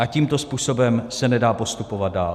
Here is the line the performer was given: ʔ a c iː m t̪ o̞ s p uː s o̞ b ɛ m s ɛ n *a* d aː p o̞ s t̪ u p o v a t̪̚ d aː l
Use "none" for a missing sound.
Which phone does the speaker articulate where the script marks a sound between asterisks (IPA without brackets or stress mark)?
ɛ